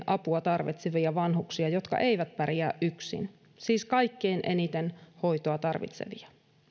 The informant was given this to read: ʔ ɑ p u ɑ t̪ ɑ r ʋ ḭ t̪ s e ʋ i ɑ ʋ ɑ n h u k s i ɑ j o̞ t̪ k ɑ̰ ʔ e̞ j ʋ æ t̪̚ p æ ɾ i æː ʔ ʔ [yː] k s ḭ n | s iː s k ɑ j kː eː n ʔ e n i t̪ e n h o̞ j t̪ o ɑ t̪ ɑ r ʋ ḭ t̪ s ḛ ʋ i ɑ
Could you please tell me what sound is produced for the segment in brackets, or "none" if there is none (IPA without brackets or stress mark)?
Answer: y